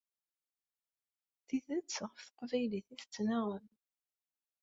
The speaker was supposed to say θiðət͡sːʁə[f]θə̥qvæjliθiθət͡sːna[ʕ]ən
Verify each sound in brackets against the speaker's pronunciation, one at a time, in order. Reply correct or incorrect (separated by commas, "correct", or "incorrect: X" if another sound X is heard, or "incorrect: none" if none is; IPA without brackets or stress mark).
correct, incorrect: ʁ